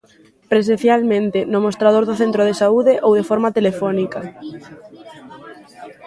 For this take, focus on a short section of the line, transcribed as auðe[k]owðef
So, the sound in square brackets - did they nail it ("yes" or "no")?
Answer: no